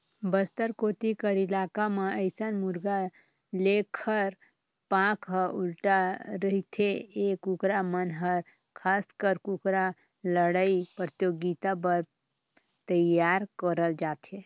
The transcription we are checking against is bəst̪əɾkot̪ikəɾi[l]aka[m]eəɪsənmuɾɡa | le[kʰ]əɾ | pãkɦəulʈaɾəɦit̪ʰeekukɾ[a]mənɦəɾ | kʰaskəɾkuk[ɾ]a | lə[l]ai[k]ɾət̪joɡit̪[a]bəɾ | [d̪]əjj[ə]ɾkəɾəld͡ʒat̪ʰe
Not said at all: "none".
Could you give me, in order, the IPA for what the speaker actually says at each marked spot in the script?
l, m, kʰ, a, ɾ, ɽ, p, a, t̪, a

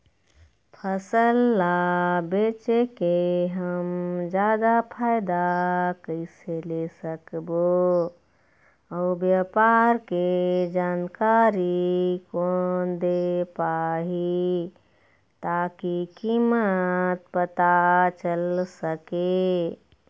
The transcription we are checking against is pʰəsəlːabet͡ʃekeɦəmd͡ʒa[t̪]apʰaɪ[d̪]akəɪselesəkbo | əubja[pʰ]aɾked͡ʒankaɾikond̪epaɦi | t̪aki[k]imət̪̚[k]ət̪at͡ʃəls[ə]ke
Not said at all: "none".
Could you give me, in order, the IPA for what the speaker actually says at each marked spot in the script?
d̪, d̪, p, k, p, ə

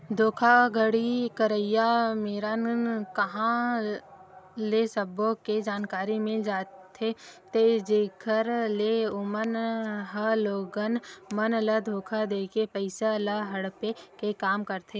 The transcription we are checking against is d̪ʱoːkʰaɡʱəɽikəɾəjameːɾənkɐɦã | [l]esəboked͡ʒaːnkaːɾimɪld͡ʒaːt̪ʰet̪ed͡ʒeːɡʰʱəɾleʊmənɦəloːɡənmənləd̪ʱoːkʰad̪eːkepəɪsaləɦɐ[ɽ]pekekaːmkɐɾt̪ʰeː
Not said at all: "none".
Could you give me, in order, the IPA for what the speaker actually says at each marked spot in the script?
l, ɽ

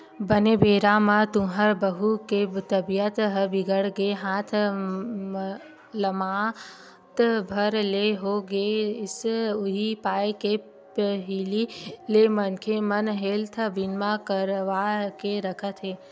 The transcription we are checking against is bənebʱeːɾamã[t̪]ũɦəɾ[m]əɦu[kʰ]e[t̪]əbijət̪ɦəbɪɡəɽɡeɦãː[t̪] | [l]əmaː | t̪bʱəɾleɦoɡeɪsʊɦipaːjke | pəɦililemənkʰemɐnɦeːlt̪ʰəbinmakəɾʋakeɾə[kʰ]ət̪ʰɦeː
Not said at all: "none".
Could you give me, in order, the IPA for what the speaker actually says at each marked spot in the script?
t̪, b, k, t̪, t̪ʰ, l, kʰ

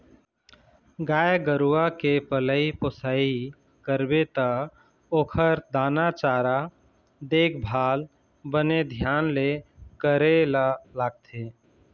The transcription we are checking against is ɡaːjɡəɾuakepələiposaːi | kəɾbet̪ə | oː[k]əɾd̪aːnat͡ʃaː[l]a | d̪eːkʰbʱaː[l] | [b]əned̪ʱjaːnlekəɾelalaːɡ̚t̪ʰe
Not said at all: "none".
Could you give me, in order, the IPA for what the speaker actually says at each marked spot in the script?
kʰ, ɾ, l, b

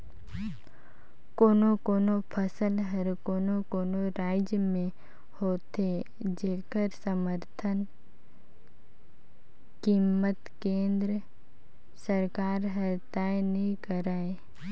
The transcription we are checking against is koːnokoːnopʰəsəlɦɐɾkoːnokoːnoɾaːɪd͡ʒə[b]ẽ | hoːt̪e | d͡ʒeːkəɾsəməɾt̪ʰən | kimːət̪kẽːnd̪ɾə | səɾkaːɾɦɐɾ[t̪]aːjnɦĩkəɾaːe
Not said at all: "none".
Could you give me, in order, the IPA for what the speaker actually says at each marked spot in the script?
m, t̪

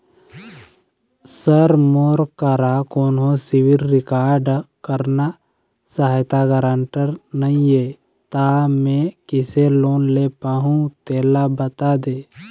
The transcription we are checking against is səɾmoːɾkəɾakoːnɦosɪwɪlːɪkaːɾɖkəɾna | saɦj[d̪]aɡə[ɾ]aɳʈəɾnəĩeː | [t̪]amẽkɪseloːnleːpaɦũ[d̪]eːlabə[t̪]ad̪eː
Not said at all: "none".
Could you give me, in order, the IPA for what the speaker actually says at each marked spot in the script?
t̪, ɾ, t̪, t̪, t̪

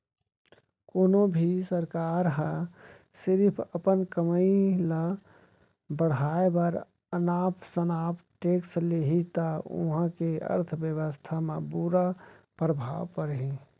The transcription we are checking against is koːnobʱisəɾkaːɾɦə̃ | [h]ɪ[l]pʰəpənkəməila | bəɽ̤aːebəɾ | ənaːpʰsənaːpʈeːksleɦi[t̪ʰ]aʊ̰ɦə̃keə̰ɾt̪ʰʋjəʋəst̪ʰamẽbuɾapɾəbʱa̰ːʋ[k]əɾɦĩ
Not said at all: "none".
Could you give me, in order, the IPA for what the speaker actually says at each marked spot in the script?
s, ɾ, t̪, p

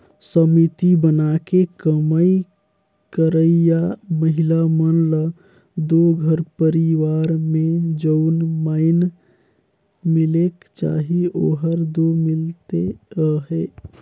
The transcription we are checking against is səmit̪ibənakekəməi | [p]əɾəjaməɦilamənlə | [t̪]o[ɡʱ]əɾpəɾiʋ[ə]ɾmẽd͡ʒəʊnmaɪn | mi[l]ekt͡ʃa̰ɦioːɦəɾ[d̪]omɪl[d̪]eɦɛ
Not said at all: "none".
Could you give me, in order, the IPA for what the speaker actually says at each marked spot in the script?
k, d̪, ɡʱ, a, l, d̪, t̪

